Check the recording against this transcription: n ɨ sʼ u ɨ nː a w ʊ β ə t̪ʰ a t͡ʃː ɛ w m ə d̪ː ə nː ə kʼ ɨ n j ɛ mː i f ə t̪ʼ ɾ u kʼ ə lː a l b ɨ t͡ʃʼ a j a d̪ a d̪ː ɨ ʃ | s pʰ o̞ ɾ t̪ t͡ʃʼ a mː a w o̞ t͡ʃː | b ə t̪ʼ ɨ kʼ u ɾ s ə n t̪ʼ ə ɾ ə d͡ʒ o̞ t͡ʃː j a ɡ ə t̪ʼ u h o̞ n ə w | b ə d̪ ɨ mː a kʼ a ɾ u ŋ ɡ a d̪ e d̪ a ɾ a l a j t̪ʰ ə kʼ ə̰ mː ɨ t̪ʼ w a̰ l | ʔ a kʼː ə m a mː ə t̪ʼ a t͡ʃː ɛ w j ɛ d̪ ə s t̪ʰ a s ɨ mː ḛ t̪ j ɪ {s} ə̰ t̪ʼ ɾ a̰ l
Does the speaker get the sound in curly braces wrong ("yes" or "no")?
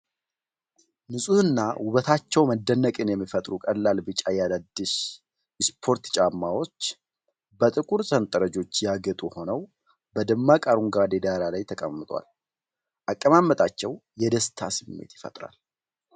yes